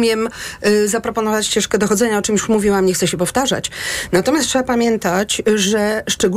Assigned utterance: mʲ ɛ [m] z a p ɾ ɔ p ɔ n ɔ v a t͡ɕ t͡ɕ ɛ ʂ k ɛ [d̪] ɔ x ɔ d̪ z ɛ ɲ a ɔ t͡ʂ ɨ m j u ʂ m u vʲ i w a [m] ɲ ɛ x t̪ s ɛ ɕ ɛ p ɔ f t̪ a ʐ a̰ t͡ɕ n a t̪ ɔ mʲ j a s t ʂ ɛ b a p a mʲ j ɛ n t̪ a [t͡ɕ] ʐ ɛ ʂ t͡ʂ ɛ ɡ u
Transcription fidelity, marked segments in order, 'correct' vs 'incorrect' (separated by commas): correct, correct, correct, correct